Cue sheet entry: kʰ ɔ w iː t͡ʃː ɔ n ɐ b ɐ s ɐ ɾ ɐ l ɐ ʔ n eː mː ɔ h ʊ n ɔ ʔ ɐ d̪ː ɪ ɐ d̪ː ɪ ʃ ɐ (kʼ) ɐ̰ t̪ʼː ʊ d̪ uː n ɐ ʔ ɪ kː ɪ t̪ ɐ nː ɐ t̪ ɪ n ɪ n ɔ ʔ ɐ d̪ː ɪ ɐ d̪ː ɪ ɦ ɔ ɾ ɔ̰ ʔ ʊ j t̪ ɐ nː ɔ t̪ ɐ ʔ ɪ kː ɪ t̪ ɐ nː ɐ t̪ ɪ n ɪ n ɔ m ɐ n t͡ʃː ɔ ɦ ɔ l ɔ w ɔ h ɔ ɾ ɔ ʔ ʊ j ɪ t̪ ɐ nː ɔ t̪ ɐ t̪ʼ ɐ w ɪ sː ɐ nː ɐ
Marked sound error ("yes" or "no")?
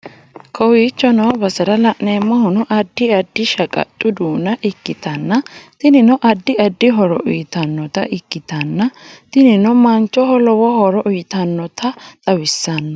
no